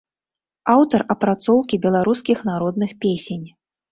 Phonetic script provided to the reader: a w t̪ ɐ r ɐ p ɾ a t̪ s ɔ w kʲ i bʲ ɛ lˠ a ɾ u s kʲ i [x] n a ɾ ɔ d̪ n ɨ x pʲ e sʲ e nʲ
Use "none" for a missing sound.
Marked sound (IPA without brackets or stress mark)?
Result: x